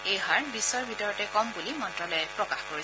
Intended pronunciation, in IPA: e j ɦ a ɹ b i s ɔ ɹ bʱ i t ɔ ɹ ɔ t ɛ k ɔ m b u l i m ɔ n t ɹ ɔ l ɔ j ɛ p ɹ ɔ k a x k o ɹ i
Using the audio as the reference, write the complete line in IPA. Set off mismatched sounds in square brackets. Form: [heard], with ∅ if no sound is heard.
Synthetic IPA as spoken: e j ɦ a ɹ b i s ɔ ɹ bʱ i t ɔ ɹ ɔ t ɛ k ɔ m b u l i m ɔ n t ɹ ɔ l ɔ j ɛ p ɹ ɔ k a x k o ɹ i